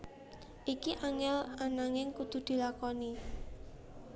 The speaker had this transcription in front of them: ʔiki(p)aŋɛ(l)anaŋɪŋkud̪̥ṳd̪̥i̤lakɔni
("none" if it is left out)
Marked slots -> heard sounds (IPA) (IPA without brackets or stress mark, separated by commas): ʔ, l